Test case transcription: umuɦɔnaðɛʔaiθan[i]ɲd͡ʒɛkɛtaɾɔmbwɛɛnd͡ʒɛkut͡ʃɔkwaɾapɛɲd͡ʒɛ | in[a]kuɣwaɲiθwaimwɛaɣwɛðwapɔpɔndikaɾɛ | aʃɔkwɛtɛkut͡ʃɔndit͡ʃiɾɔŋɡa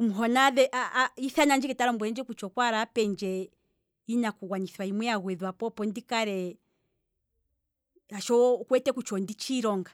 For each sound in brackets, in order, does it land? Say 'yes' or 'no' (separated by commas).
no, yes